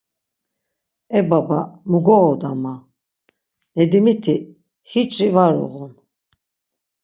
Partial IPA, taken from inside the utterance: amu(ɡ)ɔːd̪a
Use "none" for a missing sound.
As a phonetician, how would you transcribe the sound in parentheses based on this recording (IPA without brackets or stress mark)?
ɡ